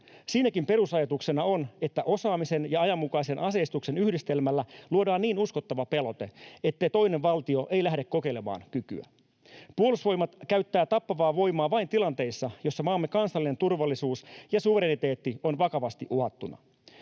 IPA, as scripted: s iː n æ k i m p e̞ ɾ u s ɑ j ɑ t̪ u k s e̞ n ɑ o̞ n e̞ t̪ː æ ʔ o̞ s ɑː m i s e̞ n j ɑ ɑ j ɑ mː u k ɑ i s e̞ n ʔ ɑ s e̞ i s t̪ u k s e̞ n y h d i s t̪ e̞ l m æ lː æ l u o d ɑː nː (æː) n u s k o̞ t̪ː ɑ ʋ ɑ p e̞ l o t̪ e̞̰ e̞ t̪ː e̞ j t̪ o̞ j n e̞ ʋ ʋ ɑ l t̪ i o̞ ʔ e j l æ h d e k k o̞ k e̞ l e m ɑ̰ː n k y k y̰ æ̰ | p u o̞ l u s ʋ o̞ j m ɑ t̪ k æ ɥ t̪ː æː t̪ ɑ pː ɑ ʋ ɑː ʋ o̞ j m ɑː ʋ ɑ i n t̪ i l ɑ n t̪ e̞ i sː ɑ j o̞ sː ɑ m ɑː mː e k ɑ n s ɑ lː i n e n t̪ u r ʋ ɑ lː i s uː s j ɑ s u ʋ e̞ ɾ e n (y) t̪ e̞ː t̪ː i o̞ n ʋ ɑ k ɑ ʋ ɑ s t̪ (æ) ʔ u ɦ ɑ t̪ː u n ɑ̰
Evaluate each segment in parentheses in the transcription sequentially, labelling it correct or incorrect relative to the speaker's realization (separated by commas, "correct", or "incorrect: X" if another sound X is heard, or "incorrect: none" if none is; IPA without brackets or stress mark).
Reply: incorrect: iː, incorrect: i, incorrect: i